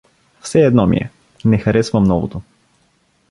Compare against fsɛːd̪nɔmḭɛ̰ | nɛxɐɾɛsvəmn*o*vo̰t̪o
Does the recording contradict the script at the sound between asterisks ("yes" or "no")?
yes